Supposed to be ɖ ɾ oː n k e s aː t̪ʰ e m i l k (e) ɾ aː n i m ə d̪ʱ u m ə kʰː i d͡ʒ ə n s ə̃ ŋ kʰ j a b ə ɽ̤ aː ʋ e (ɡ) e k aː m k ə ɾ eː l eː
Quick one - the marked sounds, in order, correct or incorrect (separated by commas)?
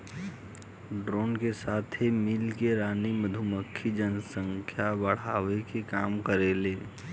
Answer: correct, incorrect